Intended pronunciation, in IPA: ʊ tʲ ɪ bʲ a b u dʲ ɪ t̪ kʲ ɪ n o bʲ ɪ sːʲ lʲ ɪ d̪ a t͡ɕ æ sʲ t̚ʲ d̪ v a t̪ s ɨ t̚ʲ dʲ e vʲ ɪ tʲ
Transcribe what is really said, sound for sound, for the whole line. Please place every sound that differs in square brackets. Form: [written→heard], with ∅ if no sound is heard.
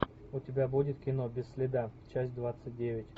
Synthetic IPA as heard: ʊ tʲ ɪ bʲ a b u dʲ ɪ t̪ kʲ ɪ n o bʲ ɪ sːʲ lʲ ɪ d̪ a t͡ɕ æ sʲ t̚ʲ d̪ v a t̪ s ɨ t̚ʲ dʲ e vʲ ɪ tʲ